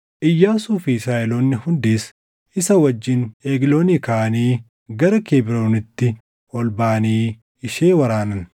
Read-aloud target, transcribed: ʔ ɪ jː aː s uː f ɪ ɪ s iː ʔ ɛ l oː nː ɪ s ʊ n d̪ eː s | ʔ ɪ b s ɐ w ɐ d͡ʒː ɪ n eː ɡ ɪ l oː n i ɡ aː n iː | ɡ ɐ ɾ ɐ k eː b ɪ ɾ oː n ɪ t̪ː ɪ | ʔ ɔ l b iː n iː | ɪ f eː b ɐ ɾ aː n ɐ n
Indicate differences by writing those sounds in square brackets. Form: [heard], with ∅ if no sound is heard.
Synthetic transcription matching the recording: ʔ ɪ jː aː s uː f ɪ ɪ s [aː] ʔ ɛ l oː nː ɪ [h] ʊ n d̪ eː s | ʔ ɪ [∅] s ɐ w ɐ d͡ʒː ɪ n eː ɡ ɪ l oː n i [k] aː n iː | ɡ ɐ ɾ ɐ k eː b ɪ ɾ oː n ɪ t̪ː ɪ | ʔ ɔ l b [aː] n iː | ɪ [ʃ] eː [w] ɐ ɾ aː n ɐ n